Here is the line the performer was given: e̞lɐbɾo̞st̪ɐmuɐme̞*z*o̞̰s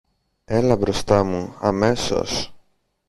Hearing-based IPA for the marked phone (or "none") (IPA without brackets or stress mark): s